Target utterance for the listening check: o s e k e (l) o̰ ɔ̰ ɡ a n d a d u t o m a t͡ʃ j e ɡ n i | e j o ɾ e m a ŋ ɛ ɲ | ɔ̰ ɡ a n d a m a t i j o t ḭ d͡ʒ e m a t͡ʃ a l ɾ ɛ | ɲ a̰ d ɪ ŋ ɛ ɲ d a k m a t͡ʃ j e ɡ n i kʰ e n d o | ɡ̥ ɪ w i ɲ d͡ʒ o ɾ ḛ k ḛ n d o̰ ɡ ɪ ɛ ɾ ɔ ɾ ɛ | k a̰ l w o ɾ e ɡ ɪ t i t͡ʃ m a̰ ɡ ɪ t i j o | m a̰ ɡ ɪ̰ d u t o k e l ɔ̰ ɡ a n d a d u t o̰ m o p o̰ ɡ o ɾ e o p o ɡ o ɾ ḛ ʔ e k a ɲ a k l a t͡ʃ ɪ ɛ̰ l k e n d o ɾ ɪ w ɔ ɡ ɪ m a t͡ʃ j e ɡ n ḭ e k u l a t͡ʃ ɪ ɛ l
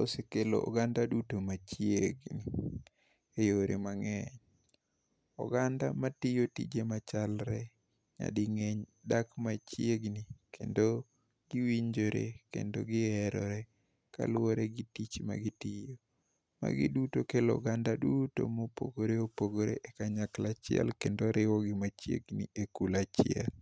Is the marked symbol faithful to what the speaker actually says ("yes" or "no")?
yes